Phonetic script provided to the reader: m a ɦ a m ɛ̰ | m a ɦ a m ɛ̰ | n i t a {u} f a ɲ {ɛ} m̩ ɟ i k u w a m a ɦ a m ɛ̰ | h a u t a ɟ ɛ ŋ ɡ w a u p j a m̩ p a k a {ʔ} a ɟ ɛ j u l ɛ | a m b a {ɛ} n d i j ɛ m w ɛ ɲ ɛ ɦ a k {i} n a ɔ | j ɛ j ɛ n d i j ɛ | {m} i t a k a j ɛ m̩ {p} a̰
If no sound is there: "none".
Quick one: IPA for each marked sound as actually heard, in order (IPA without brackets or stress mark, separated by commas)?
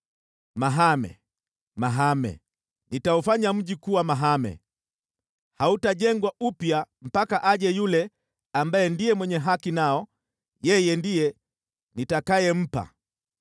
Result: u, a, ʔ, ɛ, i, n, p